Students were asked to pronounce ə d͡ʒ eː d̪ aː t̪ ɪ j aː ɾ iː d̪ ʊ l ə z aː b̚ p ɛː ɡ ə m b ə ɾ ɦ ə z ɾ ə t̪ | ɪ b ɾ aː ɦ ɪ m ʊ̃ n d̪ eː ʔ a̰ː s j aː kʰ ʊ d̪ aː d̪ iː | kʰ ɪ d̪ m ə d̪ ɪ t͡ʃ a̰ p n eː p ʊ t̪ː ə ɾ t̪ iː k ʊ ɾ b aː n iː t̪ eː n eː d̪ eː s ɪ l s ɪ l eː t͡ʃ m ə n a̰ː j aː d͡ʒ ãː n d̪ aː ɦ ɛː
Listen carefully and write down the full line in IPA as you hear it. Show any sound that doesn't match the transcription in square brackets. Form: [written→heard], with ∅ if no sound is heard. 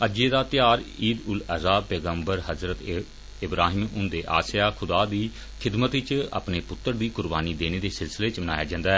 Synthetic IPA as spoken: ə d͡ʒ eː d̪ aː t̪ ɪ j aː ɾ iː d̪ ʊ l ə z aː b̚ p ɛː ɡ ə m b ə ɾ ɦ ə z ɾ ə t̪ | ɪ b ɾ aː ɦ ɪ m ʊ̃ n d̪ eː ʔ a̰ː s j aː kʰ ʊ d̪ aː d̪ iː | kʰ ɪ d̪ m ə [d̪→t̪] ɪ t͡ʃ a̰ p n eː p ʊ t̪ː ə ɾ [t̪→d̪] iː k ʊ ɾ b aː n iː [t̪→d̪] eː n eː d̪ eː s ɪ l s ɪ l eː t͡ʃ m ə n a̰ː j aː d͡ʒ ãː n d̪ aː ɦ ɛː

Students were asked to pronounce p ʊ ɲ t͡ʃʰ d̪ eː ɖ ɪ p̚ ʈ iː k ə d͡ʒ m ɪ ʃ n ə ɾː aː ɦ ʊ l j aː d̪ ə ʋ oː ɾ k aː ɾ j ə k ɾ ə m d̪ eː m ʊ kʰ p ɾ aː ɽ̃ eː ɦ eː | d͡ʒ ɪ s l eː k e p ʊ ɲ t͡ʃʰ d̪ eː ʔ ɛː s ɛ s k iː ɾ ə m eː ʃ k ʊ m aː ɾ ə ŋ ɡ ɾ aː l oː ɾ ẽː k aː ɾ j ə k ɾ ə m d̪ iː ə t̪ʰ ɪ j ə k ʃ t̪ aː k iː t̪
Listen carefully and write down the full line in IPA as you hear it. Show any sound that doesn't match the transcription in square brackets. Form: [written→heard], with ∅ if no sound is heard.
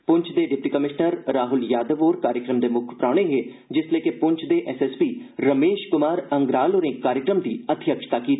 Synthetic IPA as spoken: p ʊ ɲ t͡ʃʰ d̪ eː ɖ ɪ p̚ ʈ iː k ə [d͡ʒ→∅] m ɪ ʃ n ə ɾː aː ɦ ʊ l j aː d̪ ə ʋ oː ɾ k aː ɾ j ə k ɾ ə m d̪ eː m ʊ kʰ p ɾ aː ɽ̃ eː ɦ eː | d͡ʒ ɪ s l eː k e p ʊ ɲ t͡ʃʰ d̪ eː ʔ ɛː s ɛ s [k→p] iː ɾ ə m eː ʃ k ʊ m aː ɾ ə ŋ ɡ ɾ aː l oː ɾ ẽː k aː ɾ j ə k ɾ ə m d̪ iː ə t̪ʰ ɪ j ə k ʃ t̪ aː k iː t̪

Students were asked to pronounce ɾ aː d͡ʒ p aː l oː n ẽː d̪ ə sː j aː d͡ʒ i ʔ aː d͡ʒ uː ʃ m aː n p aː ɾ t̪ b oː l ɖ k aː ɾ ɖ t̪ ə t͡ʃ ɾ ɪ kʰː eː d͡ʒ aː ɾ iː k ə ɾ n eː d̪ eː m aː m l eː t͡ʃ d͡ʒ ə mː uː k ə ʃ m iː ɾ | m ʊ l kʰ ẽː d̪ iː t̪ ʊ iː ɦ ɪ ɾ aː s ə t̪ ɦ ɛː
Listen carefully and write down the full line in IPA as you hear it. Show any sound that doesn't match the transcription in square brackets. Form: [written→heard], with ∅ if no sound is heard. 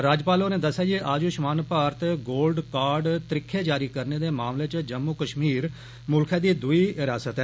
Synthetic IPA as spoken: ɾ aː d͡ʒ p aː l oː n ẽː d̪ ə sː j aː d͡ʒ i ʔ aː d͡ʒ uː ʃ m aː n p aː ɾ t̪ [b→ɡ] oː l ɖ k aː ɾ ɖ t̪ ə [t͡ʃ→∅] ɾ ɪ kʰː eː d͡ʒ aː ɾ iː k ə ɾ n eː d̪ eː m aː m l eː t͡ʃ d͡ʒ ə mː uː k ə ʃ m iː ɾ | m ʊ l kʰ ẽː d̪ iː [t̪→d̪] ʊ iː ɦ ɪ ɾ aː s ə t̪ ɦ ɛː

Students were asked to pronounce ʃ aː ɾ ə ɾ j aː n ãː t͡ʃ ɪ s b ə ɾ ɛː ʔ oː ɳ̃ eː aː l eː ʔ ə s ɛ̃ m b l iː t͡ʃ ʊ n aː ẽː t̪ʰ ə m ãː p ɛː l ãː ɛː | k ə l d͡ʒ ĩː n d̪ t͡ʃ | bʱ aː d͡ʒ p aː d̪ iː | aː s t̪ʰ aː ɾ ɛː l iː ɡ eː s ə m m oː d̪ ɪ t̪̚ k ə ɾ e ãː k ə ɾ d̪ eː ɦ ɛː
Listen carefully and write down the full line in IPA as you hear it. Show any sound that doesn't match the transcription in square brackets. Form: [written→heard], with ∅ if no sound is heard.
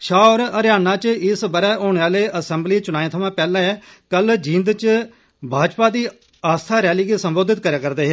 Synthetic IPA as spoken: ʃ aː ɾ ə ɾ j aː n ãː t͡ʃ ɪ s b ə ɾ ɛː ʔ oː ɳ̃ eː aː l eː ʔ ə s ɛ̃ m b l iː t͡ʃ ʊ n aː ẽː t̪ʰ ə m ãː p ɛː l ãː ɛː | k ə l d͡ʒ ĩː n d̪ t͡ʃ | bʱ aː d͡ʒ p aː d̪ iː | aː s t̪ʰ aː ɾ ɛː l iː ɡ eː s ə m [m→b] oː d̪ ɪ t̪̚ k ə ɾ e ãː k ə ɾ d̪ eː ɦ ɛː

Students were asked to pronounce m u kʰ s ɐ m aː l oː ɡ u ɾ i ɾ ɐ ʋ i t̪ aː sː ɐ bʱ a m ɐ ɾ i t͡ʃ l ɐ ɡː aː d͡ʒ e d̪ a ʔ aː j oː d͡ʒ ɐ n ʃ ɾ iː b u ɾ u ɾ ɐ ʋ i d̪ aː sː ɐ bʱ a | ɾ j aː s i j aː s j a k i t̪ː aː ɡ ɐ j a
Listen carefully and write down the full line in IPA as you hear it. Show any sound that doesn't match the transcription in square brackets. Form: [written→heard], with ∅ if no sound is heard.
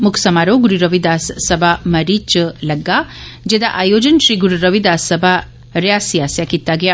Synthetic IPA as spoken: m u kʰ s ɐ m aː [l→ɾ] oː ɡ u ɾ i ɾ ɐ ʋ i [t̪→d̪] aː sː ɐ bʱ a m ɐ ɾ i t͡ʃ l ɐ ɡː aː d͡ʒ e d̪ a ʔ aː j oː d͡ʒ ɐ n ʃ ɾ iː [b→ɡ] u ɾ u ɾ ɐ ʋ i d̪ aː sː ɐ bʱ a | ɾ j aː s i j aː s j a k i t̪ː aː ɡ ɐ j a

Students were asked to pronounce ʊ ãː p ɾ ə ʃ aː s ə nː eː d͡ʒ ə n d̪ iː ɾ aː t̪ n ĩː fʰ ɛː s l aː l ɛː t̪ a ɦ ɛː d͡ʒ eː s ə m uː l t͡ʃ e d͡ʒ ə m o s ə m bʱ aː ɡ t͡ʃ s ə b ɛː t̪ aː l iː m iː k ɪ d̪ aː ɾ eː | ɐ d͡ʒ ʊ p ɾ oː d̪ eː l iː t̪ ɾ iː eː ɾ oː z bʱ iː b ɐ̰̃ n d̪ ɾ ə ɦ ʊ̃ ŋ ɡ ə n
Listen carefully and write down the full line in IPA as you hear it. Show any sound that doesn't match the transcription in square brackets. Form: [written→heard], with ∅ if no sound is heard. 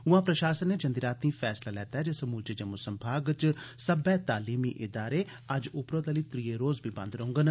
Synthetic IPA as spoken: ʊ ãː p ɾ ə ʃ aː s ə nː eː d͡ʒ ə n d̪ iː ɾ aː t̪ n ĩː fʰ ɛː s l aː l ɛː t̪ a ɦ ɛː d͡ʒ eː s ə m uː l t͡ʃ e d͡ʒ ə m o s ə m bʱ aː ɡ t͡ʃ s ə b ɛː t̪ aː l iː m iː [k→ʔ] ɪ d̪ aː ɾ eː | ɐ d͡ʒ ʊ p ɾ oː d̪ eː l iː t̪ ɾ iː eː ɾ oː z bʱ iː b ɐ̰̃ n d̪ ɾ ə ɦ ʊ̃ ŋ ɡ ə n

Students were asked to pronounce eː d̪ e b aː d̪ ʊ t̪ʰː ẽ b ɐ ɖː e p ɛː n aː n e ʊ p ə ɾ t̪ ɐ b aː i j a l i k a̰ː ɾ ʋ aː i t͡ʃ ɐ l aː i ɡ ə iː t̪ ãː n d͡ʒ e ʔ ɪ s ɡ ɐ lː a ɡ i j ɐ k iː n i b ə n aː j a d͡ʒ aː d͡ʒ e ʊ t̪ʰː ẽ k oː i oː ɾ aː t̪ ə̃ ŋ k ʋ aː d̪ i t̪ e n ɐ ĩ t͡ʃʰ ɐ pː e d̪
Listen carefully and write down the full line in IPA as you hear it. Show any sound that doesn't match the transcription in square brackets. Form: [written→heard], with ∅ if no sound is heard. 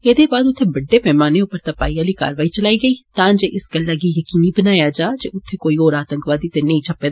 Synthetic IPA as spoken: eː d̪ e b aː d̪ ʊ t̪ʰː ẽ b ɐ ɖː e p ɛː [n→m] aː n e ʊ p ə ɾ t̪ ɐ [b→p] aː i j a l i k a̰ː ɾ ʋ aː i t͡ʃ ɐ l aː i ɡ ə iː t̪ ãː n d͡ʒ e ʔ ɪ s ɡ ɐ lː a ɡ i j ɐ k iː n i b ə n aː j a d͡ʒ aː d͡ʒ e ʊ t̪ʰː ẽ k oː i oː ɾ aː t̪ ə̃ ŋ k ʋ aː d̪ i t̪ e n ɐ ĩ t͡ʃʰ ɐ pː e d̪

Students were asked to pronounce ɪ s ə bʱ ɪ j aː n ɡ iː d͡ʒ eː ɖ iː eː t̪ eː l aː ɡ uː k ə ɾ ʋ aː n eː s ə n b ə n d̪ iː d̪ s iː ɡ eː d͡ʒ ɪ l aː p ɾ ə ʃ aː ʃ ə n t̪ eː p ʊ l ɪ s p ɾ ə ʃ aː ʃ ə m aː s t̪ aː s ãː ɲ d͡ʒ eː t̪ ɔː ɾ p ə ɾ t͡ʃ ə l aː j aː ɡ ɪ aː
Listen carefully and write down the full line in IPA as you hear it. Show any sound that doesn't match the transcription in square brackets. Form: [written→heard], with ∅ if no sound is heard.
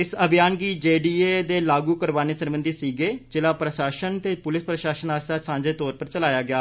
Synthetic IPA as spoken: ɪ s ə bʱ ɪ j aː n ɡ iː d͡ʒ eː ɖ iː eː [t̪→d̪] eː l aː ɡ uː k ə ɾ ʋ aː n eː s ə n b ə n d̪ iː [d̪→∅] s iː ɡ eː d͡ʒ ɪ l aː p ɾ ə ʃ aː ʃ ə n t̪ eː p ʊ l ɪ s p ɾ ə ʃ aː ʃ ə [m→n] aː s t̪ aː s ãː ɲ d͡ʒ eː t̪ ɔː ɾ p ə ɾ t͡ʃ ə l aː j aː ɡ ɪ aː

